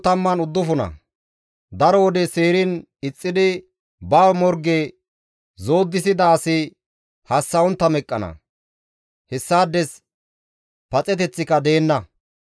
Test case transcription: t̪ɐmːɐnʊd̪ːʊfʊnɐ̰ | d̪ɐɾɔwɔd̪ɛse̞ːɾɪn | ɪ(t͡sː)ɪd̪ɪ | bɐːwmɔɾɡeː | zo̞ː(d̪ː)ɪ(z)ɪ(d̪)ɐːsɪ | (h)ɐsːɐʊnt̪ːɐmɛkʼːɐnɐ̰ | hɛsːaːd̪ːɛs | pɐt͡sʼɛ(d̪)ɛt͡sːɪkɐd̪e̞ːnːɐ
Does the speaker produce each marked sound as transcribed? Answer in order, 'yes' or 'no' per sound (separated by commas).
no, yes, no, yes, yes, no